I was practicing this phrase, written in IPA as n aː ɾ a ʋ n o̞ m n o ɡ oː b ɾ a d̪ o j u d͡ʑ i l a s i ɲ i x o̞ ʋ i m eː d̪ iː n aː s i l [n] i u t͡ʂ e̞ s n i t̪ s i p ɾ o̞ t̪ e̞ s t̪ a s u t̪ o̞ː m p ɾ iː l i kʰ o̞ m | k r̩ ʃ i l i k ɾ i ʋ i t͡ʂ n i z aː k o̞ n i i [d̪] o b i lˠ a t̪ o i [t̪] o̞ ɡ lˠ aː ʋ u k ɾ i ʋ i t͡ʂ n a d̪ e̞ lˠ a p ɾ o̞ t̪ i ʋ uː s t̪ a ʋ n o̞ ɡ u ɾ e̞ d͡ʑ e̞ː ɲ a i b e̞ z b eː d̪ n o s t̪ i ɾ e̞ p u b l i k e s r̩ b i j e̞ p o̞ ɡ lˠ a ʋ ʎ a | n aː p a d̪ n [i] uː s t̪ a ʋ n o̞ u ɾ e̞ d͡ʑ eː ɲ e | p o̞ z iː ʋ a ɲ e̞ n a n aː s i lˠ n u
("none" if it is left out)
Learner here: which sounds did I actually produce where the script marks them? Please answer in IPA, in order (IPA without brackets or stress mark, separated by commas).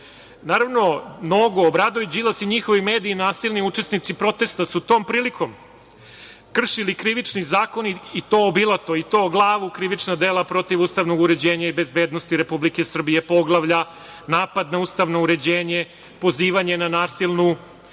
n, t̪, t̪, a